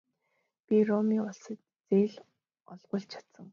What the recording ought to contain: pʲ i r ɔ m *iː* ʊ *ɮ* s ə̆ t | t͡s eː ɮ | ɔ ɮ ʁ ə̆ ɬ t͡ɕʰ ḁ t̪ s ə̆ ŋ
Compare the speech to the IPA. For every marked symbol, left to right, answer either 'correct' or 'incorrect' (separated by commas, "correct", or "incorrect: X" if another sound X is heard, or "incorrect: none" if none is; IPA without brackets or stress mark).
correct, correct